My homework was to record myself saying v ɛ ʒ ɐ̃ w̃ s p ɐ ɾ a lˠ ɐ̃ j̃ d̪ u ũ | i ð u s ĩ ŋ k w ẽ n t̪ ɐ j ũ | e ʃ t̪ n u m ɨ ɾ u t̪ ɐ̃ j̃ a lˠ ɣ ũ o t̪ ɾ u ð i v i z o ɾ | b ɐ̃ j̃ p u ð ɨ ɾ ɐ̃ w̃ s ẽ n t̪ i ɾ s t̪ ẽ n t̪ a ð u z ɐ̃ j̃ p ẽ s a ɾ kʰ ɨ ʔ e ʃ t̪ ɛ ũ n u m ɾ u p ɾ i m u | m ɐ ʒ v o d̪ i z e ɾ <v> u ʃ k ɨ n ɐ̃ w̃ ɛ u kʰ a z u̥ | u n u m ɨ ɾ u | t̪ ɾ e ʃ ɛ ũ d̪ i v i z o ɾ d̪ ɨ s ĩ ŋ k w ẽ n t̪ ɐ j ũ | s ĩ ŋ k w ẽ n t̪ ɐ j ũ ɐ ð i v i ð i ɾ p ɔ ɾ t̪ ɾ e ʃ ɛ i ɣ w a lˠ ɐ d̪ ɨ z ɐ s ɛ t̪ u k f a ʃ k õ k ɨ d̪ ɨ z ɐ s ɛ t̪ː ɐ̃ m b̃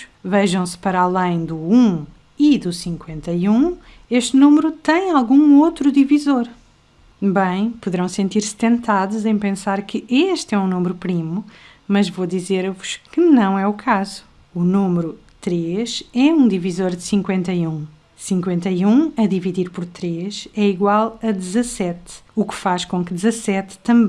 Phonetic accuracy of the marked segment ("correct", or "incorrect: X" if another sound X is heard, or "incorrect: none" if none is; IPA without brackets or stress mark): correct